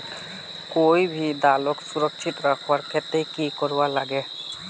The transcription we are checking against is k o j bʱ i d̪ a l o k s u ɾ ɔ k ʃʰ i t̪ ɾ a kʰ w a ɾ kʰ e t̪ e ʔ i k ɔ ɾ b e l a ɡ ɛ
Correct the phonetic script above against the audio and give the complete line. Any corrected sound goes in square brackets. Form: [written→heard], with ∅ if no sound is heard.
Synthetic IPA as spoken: k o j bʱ i d̪ a l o k s u ɾ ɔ k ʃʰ i t̪ ɾ a kʰ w a ɾ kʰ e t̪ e [ʔ→k] i k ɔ ɾ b [e→a] l a ɡ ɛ